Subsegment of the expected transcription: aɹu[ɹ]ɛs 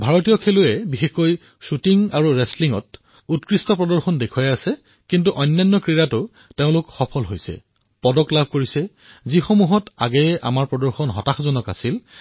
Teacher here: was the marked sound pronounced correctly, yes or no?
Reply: yes